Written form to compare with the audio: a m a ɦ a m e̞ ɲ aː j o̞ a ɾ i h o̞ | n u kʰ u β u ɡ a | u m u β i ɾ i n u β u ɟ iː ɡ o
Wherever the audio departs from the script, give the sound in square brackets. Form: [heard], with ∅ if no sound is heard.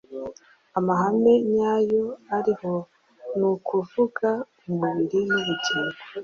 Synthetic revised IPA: a m a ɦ a m e̞ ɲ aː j o̞ a ɾ i h o̞ | n u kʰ u [v] u ɡ a | u m u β i ɾ i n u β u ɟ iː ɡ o